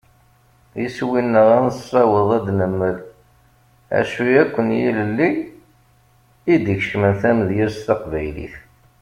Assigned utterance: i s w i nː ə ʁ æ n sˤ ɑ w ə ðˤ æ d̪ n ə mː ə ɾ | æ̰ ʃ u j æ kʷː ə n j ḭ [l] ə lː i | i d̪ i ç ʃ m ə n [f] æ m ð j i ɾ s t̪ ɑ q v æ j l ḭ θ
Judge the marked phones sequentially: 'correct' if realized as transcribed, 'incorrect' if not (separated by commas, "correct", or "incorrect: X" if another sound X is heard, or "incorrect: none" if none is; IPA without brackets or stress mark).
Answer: correct, incorrect: θ